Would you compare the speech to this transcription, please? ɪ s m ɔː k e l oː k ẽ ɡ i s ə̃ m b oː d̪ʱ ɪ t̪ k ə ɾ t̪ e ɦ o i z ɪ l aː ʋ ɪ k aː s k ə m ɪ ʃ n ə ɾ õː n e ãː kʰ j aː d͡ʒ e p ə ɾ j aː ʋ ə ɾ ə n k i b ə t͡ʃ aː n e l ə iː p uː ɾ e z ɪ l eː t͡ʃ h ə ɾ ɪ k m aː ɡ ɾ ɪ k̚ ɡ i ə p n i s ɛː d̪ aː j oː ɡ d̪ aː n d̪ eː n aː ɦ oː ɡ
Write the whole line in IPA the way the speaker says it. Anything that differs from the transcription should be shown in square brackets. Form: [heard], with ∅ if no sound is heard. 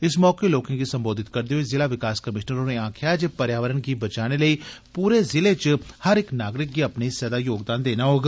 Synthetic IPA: ɪ s m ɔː k e l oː k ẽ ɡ i s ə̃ m b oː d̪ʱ ɪ t̪ k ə ɾ [d̪] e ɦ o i z ɪ l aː ʋ ɪ k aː s k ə m ɪ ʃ n ə ɾ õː n e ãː kʰ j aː d͡ʒ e p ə ɾ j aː ʋ ə ɾ ə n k i b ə t͡ʃ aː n e l ə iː p uː ɾ e z ɪ l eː t͡ʃ h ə ɾ ɪ k [n] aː ɡ ɾ ɪ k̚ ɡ i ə p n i s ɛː d̪ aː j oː ɡ d̪ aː n d̪ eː n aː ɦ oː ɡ